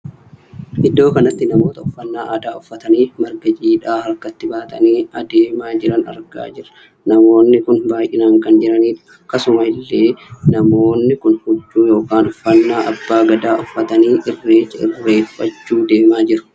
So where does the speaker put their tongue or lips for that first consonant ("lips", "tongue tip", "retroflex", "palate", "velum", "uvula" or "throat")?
throat